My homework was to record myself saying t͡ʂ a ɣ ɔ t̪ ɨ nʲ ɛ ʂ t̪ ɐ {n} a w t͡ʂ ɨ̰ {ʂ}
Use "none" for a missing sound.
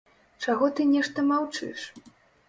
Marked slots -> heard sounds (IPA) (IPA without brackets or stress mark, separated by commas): m, ʂ